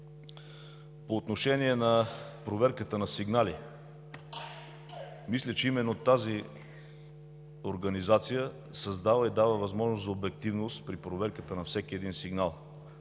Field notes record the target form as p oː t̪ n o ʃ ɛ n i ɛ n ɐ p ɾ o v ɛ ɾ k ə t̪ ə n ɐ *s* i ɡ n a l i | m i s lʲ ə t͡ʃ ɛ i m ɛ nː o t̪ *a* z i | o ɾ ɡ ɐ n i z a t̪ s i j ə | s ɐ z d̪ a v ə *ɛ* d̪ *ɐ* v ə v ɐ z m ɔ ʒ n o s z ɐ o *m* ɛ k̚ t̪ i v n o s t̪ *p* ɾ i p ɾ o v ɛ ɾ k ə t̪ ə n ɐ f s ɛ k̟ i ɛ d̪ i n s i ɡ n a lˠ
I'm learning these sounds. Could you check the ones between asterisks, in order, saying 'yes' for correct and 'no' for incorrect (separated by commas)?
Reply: yes, yes, no, no, no, yes